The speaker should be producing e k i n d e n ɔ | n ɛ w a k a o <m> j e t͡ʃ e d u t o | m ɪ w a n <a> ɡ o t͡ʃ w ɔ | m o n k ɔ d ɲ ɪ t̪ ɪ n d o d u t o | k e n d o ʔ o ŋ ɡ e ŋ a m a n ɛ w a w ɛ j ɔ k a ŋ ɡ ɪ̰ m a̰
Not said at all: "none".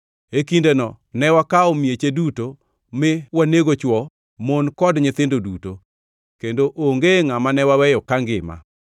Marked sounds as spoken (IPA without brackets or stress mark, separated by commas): m, e